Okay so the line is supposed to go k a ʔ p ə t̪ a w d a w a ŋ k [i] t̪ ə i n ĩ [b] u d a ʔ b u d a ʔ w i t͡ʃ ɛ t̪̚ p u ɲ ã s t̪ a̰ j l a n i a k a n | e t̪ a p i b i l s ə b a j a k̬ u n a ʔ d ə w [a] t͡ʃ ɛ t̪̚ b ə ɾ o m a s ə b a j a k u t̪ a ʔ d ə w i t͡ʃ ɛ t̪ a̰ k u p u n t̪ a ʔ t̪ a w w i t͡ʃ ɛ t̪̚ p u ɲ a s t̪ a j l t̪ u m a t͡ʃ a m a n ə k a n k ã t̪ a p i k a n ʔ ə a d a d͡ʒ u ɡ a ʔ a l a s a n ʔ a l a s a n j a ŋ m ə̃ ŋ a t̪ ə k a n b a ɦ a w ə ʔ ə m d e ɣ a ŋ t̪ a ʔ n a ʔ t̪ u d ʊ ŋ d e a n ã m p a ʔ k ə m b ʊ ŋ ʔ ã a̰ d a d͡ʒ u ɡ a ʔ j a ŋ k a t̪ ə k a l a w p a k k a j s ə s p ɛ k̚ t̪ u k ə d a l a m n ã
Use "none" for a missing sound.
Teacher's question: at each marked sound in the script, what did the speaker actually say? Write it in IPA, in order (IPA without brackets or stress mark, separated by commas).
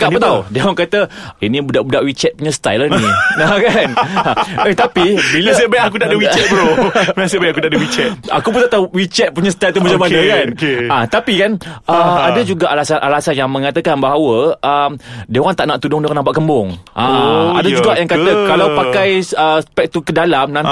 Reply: a, b, i